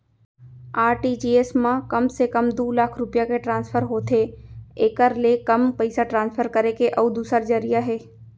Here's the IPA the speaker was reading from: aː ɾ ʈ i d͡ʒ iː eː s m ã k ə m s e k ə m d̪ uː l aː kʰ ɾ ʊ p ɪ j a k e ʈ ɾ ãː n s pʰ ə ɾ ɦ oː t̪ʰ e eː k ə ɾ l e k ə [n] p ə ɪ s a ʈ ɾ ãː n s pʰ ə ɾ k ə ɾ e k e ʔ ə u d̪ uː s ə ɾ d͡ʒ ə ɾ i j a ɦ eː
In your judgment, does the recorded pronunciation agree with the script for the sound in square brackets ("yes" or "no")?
no